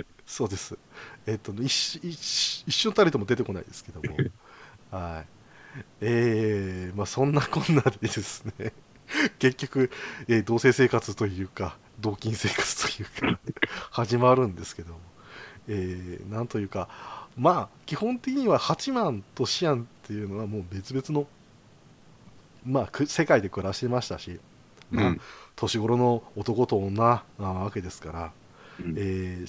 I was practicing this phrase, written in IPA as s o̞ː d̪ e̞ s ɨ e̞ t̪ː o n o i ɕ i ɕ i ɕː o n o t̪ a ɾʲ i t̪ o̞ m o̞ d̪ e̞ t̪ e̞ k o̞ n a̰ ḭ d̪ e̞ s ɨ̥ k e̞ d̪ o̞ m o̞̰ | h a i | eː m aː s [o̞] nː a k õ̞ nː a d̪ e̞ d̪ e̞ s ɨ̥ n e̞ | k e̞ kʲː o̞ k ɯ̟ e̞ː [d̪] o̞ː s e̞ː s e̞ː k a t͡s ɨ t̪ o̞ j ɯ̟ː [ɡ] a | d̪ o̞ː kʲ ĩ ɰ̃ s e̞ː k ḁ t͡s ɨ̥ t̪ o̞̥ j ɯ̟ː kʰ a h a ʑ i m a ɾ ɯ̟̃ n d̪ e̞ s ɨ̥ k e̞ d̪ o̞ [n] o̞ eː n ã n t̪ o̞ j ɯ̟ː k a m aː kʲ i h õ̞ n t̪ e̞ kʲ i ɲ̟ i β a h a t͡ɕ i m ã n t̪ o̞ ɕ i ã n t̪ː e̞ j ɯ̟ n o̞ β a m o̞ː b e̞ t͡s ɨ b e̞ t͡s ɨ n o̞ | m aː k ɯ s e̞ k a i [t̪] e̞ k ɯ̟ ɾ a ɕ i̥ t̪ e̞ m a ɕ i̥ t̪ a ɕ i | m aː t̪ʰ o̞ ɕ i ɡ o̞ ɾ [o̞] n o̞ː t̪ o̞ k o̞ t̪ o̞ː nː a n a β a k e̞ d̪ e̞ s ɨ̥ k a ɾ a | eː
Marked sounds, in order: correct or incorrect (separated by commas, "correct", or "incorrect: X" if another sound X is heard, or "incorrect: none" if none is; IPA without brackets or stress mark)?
incorrect: õ̞, correct, incorrect: k, incorrect: m, incorrect: d̪, correct